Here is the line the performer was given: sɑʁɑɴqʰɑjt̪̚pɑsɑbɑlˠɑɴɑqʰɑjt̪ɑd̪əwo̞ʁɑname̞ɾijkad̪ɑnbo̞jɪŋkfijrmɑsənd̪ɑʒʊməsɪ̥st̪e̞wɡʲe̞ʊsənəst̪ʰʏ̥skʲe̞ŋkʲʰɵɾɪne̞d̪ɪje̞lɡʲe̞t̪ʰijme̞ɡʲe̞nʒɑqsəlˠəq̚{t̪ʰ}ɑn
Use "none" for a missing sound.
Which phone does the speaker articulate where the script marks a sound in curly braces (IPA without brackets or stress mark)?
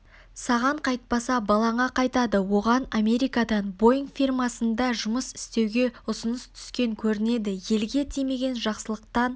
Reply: t̪